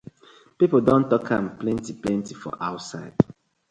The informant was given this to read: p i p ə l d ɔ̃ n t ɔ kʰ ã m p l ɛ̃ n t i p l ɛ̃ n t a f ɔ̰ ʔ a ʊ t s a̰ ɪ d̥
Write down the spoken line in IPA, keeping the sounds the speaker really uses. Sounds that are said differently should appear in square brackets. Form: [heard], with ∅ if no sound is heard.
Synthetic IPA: p i p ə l d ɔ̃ n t ɔ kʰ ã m p l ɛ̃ n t i p l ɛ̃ n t [i] f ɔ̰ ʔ a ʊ t s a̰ ɪ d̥